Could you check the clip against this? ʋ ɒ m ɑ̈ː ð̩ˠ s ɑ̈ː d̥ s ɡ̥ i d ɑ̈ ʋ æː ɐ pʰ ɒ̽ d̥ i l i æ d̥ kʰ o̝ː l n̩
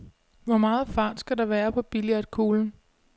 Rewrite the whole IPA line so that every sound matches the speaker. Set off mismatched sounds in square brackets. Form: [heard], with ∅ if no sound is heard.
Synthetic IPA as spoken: ʋ ɒ m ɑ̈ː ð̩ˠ [f] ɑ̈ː d̥ s ɡ̥ [æ] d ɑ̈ ʋ æː ɐ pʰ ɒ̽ [b̥] i l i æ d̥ kʰ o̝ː l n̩